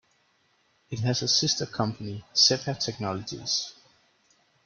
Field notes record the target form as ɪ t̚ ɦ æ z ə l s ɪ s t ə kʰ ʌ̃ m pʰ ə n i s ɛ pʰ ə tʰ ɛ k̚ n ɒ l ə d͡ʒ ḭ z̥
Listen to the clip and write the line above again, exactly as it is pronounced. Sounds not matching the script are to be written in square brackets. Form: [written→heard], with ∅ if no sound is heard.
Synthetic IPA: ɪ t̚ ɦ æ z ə [l→∅] s ɪ s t ə kʰ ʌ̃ m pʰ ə n i s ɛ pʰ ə tʰ ɛ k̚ n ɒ l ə d͡ʒ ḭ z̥